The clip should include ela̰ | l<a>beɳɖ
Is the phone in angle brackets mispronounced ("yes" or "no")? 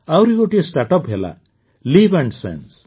yes